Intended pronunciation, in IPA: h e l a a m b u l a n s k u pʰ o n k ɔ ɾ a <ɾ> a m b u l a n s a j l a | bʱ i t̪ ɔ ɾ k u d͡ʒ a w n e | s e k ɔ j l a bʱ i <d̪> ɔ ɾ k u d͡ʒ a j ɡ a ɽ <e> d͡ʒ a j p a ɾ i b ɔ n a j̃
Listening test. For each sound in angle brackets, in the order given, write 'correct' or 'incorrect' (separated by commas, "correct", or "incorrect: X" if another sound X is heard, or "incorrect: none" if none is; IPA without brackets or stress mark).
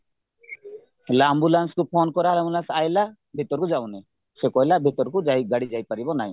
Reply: incorrect: l, incorrect: t̪, incorrect: i